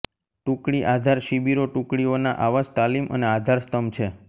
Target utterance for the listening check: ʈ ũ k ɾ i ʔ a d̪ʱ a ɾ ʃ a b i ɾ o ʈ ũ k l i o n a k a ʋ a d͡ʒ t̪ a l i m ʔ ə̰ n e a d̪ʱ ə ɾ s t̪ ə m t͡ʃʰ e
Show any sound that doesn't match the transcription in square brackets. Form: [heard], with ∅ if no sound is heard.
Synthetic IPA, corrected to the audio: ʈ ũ k [ɽ] i ʔ a d̪ʱ a ɾ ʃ [i] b i ɾ o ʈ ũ k [ɽ] i o n a [ʔ] a ʋ a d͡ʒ t̪ a l i m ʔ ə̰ n e a d̪ʱ [a] ɾ s t̪ ə m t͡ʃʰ e